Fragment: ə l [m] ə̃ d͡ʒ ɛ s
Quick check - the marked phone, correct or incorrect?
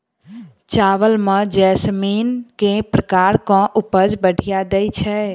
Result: correct